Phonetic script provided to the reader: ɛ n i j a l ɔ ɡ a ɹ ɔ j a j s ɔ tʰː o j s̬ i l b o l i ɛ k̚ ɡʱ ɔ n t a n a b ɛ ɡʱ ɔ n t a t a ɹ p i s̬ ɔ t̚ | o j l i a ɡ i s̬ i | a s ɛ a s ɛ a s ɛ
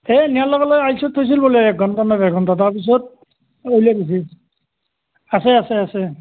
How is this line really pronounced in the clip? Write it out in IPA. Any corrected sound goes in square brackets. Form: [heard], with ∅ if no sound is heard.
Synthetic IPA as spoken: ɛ n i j a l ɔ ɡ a [l] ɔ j a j s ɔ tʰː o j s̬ i l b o l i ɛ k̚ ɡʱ ɔ n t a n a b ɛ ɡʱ ɔ n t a t a ɹ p i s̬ ɔ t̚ | o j l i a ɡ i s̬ i | a s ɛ a s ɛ a s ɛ